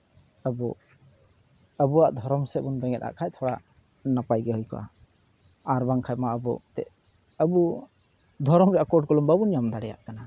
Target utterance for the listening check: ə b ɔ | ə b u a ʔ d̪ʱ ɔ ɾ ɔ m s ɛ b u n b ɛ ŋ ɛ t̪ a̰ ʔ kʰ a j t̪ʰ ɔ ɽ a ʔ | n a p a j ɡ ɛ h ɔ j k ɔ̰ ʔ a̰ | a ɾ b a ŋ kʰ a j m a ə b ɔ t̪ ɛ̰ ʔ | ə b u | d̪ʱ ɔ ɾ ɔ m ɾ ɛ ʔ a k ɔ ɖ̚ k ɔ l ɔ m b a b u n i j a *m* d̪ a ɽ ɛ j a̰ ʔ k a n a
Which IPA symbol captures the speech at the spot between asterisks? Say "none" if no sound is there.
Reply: m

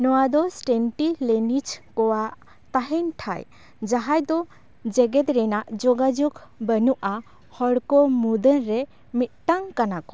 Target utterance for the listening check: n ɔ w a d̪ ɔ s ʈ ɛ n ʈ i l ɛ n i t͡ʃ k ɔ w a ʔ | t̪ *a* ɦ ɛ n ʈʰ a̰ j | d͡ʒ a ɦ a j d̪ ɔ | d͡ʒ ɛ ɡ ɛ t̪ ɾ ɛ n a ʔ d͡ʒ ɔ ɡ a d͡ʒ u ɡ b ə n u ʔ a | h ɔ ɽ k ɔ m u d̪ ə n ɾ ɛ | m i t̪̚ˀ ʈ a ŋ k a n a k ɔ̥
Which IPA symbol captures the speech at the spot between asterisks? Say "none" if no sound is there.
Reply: a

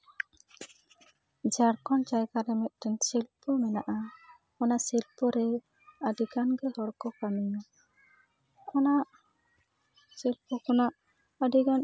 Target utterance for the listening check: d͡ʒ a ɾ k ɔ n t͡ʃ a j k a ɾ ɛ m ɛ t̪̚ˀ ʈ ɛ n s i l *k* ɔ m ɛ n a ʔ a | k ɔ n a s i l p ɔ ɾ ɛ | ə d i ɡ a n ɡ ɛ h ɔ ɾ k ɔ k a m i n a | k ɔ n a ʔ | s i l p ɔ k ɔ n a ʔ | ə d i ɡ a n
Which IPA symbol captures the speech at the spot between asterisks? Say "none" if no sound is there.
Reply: p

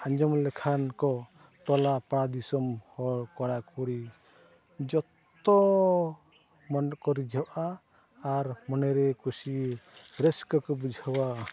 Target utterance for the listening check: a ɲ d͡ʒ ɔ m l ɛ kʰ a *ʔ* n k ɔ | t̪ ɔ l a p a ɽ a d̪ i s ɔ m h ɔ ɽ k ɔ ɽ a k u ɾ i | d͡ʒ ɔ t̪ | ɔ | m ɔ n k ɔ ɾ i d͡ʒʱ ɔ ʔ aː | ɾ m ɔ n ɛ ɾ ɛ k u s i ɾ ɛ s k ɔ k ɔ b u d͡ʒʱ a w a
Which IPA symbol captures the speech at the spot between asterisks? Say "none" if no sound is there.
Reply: none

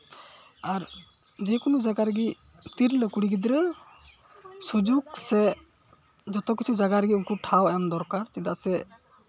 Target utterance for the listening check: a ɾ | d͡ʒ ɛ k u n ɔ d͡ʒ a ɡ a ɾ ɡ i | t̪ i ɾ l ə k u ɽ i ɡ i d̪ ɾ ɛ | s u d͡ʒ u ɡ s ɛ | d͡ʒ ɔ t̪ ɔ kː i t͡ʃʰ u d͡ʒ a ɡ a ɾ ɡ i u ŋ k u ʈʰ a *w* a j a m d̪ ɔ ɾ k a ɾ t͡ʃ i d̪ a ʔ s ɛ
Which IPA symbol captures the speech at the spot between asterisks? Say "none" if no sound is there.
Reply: w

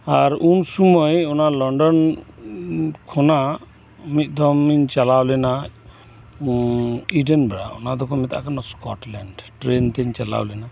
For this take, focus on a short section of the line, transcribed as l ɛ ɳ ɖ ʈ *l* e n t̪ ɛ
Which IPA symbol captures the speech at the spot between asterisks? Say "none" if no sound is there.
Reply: ɾ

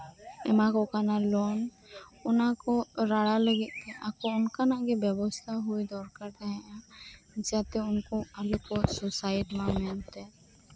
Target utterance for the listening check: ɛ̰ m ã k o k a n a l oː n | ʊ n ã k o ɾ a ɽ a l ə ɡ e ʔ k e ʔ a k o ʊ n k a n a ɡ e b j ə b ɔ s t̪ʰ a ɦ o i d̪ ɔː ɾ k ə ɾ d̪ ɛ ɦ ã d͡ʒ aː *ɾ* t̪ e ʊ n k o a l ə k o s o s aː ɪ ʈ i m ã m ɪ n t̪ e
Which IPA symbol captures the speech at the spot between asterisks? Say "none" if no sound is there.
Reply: none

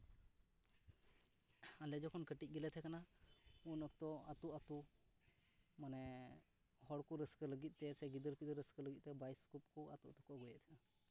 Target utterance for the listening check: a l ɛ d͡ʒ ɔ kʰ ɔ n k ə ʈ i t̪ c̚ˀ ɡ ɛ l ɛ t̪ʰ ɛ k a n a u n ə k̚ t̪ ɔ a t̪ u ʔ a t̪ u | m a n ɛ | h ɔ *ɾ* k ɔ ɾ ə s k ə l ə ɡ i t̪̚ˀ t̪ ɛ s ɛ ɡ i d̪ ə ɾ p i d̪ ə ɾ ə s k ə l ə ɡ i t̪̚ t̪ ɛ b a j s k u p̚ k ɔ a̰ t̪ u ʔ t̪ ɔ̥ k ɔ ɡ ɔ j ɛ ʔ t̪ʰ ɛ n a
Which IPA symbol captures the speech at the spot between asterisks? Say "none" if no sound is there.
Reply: ɽ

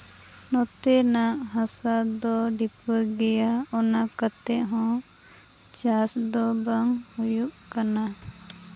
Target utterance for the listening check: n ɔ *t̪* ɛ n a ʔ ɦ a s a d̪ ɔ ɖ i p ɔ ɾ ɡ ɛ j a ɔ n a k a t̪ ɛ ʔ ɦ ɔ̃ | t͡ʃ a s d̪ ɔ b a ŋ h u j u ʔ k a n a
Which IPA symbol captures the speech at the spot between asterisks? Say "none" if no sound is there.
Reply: t̪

